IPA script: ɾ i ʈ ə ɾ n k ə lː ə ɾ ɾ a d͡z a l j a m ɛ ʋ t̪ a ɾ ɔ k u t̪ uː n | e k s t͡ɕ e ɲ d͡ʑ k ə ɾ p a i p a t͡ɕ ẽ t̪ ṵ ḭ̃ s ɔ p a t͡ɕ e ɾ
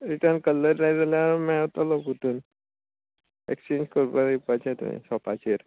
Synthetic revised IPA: ɾ i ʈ ə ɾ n k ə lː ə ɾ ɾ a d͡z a l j a m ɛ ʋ t̪ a l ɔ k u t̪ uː n | e k s t͡ɕ e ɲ d͡ʑ k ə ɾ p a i p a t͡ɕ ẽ t̪ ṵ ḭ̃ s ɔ p a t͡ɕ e ɾ